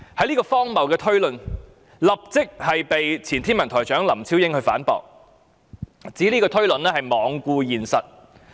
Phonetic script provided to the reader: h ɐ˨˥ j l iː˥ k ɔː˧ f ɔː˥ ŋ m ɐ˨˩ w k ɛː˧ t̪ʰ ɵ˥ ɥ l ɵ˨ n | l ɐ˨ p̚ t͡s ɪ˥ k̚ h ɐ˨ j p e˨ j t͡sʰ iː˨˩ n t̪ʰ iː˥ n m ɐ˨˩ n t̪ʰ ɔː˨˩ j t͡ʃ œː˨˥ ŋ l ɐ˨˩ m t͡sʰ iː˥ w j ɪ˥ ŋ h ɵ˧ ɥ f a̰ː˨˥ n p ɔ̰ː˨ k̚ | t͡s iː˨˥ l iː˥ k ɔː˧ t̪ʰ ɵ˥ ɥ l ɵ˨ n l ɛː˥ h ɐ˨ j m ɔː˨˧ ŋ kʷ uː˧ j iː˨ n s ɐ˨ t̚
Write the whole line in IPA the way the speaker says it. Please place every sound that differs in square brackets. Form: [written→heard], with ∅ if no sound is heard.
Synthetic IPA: h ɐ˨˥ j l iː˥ k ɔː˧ f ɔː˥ ŋ m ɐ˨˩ w k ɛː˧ t̪ʰ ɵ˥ ɥ l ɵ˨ n | l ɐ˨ p̚ t͡s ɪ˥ k̚ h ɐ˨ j p e˨ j t͡sʰ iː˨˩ n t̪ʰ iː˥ n m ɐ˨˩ n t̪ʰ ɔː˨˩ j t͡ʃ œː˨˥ ŋ l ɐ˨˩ m t͡sʰ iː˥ w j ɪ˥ ŋ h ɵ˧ ɥ f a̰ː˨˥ n p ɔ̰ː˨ k̚ | t͡s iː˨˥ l iː˥ k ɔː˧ t̪ʰ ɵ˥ ɥ l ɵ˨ n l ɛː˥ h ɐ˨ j m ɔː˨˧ ŋ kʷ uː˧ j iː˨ n s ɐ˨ t̚

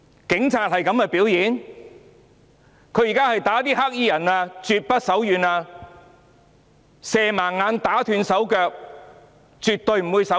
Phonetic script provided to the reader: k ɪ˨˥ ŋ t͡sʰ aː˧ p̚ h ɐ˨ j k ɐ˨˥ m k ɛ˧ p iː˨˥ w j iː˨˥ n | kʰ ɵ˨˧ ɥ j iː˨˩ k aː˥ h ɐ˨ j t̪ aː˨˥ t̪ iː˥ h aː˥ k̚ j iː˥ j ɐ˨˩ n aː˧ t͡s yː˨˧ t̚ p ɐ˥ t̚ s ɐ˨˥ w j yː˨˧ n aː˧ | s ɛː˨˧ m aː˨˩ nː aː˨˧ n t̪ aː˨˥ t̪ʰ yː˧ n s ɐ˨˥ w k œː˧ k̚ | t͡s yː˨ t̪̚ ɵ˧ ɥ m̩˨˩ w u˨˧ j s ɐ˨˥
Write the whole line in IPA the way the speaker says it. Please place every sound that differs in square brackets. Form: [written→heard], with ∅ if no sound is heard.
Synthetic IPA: k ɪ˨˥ ŋ t͡sʰ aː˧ [p̚→t̚] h ɐ˨ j k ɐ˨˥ m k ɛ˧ p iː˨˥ w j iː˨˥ n | kʰ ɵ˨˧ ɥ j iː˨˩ k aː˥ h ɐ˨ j t̪ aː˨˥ t̪ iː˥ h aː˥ k̚ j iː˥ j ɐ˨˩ n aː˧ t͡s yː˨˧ t̚ p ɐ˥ t̚ s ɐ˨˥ w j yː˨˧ n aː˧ | s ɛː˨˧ m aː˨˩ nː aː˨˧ n t̪ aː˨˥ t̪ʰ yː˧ n s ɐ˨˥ w k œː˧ k̚ | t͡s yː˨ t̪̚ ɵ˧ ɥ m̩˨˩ w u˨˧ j s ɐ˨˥

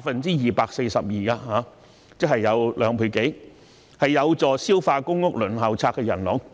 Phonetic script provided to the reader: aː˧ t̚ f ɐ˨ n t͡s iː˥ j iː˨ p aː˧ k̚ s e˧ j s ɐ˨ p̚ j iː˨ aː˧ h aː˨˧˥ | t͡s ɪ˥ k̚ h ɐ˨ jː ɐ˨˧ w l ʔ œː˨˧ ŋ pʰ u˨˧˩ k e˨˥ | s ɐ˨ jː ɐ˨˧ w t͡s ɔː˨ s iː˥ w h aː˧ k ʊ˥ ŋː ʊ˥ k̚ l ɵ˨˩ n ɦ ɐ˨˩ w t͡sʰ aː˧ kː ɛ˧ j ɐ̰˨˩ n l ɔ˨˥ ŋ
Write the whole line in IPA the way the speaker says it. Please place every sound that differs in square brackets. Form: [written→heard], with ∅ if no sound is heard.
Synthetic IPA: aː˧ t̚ f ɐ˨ n t͡s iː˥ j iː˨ p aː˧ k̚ s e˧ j s ɐ˨ p̚ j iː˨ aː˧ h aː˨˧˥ | t͡s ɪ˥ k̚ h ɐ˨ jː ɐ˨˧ w l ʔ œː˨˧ ŋ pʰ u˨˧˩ k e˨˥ | [s→h] ɐ˨ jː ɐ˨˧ w t͡s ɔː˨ s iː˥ w [h→f] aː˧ k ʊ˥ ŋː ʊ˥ k̚ l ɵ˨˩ n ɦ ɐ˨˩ w t͡sʰ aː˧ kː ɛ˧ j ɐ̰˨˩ n l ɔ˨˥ ŋ

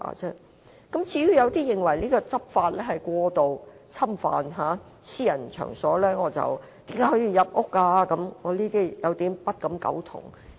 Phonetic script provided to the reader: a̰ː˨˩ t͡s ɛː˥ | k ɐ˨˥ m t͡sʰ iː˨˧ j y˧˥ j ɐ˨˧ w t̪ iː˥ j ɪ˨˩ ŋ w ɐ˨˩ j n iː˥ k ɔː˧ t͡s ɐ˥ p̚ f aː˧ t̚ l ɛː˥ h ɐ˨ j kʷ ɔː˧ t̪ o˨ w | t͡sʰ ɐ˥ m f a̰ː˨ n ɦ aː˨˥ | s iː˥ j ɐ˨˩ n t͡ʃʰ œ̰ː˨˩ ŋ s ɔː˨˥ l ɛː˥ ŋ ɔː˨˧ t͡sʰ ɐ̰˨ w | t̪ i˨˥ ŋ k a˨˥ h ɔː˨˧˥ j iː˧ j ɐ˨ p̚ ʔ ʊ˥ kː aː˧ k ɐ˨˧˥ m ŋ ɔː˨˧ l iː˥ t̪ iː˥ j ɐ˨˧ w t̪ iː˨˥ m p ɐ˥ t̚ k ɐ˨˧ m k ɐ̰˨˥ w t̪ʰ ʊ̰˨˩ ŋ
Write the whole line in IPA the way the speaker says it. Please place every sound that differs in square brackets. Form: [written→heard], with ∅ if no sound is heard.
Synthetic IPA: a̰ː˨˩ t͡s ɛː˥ | k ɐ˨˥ m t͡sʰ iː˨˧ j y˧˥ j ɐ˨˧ w t̪ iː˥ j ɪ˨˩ ŋ w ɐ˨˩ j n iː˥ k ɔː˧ t͡s ɐ˥ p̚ f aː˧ t̚ l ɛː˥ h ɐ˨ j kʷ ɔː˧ t̪ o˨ w | t͡sʰ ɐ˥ m f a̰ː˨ n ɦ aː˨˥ | s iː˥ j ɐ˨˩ n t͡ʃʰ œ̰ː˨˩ ŋ s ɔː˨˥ l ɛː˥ ŋ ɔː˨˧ [t͡sʰ→t͡s] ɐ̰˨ w | t̪ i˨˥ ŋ k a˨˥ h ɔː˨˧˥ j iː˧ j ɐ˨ p̚ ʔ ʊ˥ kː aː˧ k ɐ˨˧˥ m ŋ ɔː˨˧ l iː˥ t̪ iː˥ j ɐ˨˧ w t̪ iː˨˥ m p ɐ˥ t̚ k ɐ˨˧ m k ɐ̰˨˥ w t̪ʰ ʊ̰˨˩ ŋ

